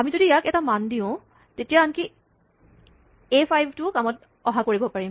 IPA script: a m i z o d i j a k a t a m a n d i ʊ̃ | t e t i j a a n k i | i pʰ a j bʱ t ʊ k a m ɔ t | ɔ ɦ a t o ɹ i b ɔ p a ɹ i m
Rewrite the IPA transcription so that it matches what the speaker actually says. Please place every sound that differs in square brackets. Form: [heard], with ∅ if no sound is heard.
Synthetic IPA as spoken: a m i z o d i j a k [ɛ] t a m a n d i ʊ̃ | t e t i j a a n k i | [e] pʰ a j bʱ t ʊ k a m ɔ t | ɔ ɦ a [k] o ɹ i b ɔ p a ɹ i m